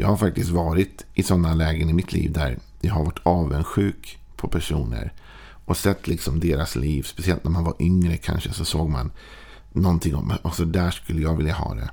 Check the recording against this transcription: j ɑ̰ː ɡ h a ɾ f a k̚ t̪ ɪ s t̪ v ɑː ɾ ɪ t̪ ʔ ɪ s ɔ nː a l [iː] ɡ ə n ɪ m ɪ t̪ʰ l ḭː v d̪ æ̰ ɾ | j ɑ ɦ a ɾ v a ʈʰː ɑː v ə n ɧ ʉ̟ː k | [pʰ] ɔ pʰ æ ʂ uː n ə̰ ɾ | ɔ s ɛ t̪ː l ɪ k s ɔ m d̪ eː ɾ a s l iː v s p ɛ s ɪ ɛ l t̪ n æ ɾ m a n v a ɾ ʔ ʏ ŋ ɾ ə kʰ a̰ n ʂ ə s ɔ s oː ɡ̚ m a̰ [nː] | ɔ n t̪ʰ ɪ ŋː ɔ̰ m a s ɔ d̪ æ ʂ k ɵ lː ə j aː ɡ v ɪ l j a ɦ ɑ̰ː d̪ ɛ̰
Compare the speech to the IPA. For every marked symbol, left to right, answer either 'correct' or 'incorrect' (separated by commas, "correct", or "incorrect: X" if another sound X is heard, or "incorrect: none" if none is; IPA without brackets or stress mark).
incorrect: ɛː, correct, correct